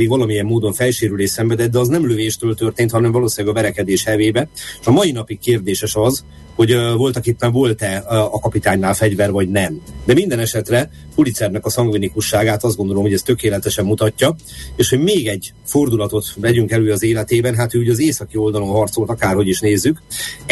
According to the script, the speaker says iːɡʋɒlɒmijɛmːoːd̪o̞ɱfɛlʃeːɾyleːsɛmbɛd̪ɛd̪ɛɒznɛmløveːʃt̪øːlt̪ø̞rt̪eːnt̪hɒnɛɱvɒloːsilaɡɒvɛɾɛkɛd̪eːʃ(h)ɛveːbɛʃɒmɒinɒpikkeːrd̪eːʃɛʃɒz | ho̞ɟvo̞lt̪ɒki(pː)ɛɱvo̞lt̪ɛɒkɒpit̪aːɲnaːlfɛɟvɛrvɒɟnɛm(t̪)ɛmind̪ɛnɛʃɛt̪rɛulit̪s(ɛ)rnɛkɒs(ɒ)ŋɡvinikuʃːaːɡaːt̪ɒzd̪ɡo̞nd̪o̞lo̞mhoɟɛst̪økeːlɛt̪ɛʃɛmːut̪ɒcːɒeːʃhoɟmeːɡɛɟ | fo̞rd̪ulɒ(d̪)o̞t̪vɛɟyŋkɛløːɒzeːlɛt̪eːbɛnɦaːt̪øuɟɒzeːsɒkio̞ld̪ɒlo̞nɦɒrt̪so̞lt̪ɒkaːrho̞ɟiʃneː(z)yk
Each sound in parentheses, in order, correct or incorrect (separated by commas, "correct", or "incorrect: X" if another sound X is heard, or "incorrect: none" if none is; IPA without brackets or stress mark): correct, correct, incorrect: d̪, correct, correct, incorrect: t̪, incorrect: zː